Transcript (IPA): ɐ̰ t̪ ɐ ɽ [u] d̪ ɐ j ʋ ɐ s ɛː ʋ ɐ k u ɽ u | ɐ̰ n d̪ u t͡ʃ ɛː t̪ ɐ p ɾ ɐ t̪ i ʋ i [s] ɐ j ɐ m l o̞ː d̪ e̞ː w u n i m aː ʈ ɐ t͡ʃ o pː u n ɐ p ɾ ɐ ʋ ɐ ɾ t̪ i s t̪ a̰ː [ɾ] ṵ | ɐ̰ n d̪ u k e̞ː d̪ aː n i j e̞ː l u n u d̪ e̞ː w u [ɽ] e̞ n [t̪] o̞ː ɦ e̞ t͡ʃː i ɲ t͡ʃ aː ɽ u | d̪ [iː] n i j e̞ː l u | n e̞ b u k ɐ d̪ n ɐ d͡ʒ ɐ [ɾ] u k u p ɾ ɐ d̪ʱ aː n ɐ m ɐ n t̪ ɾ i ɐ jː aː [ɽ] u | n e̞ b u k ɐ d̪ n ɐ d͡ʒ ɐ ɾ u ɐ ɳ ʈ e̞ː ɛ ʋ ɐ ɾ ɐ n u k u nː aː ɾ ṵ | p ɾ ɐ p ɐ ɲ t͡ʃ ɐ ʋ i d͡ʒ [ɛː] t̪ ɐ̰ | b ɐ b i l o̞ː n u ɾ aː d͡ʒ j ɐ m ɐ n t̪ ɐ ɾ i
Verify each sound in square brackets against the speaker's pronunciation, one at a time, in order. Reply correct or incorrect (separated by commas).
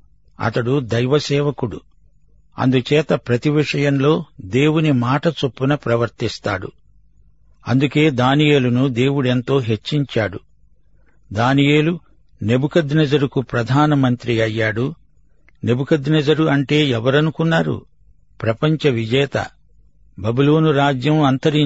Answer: correct, incorrect, incorrect, correct, correct, incorrect, correct, correct, correct